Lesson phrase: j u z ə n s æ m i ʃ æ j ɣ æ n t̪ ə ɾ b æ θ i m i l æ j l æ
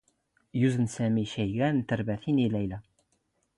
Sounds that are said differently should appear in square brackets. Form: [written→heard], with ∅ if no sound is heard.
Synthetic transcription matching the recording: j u z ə n s æ m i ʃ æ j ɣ æ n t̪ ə ɾ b æ θ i [m→n] i l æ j l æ